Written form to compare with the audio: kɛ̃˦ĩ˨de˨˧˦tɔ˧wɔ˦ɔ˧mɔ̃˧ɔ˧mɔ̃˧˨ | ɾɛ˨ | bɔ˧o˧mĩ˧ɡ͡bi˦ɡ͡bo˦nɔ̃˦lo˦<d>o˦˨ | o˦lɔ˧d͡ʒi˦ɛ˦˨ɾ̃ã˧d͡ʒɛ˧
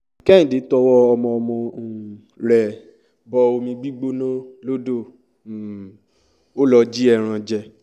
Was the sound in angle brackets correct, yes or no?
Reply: yes